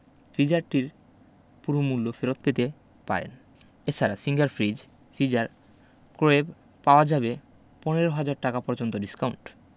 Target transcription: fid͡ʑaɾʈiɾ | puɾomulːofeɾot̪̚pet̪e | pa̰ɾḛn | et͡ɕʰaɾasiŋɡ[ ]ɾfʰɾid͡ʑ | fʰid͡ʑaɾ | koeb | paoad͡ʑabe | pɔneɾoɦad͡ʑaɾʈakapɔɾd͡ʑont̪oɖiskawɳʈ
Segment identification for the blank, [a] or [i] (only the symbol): a